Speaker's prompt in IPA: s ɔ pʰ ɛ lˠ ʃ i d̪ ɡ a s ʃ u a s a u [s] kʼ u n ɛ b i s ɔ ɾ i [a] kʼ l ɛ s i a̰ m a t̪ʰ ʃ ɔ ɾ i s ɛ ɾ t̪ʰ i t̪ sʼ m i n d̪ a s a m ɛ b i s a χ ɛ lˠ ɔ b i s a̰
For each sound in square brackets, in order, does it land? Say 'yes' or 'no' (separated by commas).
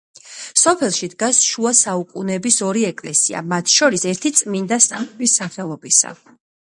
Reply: no, no